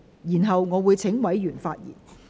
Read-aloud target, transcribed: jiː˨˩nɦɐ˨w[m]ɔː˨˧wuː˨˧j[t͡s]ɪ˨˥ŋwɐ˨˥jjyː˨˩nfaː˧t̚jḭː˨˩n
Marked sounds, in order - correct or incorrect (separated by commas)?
incorrect, incorrect